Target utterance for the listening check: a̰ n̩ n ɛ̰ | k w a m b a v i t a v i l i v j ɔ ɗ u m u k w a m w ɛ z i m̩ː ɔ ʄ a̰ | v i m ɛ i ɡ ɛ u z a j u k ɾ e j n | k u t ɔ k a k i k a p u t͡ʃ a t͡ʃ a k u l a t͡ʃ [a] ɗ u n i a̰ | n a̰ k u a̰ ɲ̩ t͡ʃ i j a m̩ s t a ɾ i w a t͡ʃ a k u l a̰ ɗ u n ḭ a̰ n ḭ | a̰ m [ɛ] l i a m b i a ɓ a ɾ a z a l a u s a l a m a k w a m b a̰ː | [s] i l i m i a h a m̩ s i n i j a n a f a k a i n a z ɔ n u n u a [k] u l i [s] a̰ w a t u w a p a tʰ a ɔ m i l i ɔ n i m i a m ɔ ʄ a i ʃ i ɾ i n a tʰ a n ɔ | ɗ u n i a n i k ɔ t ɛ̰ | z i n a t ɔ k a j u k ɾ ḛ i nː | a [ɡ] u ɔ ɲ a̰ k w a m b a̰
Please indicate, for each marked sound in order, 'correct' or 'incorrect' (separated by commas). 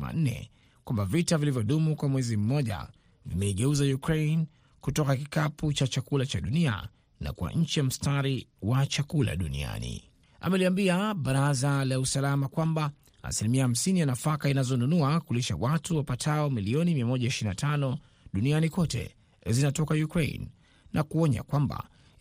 correct, correct, correct, correct, incorrect, incorrect